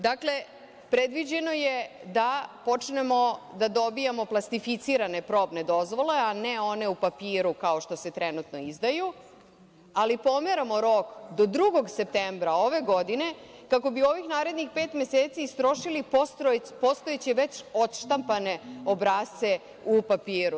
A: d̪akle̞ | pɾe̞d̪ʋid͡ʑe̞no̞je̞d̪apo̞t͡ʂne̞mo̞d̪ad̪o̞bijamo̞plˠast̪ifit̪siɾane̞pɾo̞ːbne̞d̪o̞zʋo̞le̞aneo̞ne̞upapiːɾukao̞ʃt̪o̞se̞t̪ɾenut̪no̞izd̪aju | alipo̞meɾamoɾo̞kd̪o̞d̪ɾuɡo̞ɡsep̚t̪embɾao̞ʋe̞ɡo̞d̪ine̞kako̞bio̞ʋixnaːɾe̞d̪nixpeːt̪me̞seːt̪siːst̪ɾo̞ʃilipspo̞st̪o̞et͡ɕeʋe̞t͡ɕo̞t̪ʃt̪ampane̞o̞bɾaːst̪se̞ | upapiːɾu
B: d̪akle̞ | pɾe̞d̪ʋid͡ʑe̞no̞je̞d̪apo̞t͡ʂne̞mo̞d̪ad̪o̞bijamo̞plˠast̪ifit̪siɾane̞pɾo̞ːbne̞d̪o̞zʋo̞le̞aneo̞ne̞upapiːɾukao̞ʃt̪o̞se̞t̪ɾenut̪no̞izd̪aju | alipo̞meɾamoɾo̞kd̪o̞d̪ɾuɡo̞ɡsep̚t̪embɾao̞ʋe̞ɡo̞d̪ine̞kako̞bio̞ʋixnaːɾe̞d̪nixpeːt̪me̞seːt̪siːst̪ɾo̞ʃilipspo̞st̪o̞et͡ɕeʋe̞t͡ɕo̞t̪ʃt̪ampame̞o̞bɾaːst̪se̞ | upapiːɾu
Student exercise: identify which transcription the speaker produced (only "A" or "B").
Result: A